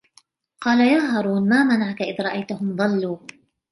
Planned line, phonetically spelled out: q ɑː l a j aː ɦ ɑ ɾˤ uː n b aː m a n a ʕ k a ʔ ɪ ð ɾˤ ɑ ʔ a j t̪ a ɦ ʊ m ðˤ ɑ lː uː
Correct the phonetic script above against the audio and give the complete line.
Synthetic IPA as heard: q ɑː l a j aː ɦ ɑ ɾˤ uː n m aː m a n a ʕ k a ʔ ɪ ð ɾˤ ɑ ʔ a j t̪ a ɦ ʊ m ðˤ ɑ lː uː